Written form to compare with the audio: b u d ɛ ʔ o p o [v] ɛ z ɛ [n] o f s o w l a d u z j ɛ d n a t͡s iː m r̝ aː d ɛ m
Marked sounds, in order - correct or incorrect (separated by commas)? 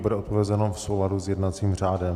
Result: correct, correct